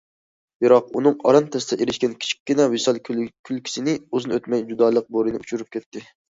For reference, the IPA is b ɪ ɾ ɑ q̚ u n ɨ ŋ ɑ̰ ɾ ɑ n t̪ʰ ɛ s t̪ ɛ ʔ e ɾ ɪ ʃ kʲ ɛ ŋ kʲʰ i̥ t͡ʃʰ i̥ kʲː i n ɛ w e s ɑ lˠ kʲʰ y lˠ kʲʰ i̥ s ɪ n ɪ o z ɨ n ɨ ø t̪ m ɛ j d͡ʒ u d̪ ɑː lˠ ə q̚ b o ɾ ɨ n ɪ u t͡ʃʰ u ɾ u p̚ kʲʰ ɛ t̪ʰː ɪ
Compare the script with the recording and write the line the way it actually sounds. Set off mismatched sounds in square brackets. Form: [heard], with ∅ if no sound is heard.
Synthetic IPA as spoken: b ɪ ɾ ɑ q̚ u n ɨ ŋ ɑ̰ ɾ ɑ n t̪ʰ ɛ s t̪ ɛ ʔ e ɾ ɪ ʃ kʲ ɛ [n] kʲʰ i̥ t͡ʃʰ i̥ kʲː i n ɛ w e s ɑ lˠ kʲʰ y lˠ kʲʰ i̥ s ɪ n ɪ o z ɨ n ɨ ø t̪ m ɛ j d͡ʒ u d̪ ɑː lˠ ə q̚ b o ɾ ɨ n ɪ u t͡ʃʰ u ɾ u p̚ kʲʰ ɛ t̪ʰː ɪ